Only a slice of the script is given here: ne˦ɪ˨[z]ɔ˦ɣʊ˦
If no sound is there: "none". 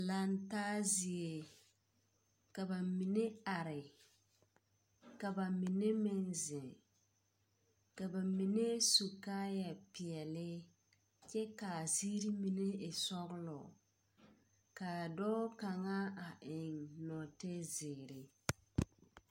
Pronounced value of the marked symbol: s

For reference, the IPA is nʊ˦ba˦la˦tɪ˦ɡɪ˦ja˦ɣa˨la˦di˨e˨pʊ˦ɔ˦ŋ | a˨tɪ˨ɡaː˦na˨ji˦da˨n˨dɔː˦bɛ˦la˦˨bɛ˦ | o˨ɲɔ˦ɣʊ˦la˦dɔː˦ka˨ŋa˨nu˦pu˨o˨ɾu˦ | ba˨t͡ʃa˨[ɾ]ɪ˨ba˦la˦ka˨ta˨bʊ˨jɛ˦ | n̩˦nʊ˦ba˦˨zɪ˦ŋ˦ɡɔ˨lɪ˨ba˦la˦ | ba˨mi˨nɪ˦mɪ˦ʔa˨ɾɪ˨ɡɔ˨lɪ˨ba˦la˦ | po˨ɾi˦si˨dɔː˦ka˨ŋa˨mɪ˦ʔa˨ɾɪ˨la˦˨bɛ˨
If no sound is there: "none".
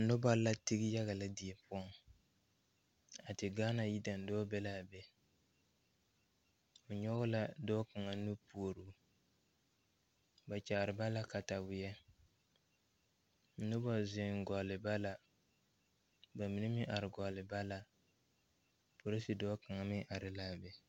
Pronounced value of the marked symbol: ɾ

